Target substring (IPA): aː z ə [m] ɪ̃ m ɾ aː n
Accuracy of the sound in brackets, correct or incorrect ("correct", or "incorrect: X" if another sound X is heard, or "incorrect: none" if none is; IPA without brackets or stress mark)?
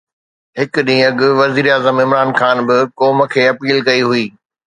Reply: correct